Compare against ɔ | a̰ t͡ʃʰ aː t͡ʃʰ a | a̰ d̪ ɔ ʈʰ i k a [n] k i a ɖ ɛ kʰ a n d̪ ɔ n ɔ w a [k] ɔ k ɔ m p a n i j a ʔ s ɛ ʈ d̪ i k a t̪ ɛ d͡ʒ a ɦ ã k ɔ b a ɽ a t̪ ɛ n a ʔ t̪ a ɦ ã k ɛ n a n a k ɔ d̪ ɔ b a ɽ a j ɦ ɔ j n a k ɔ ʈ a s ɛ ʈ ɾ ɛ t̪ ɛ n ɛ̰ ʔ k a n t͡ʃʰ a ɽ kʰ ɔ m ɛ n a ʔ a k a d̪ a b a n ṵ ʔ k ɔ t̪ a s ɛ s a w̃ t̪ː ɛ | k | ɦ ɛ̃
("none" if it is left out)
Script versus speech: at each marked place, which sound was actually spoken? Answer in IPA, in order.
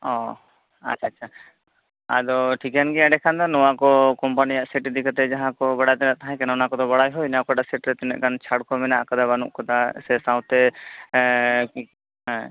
n, k

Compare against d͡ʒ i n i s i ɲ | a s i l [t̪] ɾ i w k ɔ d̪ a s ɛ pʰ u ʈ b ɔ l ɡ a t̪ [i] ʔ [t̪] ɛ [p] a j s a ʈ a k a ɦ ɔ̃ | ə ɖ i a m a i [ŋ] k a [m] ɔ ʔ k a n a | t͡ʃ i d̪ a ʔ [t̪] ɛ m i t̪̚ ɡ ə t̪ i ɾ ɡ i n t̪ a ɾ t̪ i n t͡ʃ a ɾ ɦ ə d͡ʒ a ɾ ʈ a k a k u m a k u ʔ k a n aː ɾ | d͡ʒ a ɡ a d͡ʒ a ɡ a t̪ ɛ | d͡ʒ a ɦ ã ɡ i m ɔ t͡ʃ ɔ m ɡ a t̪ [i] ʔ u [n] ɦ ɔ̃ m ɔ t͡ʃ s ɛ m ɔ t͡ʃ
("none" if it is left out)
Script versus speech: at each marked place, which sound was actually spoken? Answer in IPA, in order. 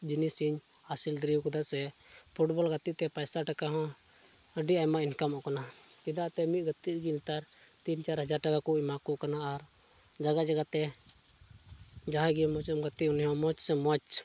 d̪, i, t̪, p, n, m, t̪, i, n

